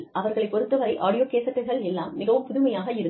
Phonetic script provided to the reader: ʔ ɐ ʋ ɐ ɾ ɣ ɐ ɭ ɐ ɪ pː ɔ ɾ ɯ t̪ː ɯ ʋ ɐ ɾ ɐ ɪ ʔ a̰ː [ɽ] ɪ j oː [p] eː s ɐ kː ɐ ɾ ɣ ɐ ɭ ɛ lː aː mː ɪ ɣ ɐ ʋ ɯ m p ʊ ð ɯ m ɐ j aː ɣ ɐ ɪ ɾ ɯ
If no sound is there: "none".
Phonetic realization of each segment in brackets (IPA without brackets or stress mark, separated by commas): ɽ, k